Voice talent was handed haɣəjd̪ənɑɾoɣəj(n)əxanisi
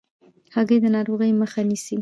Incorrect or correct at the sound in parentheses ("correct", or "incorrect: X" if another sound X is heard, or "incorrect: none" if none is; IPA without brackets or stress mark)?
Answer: incorrect: m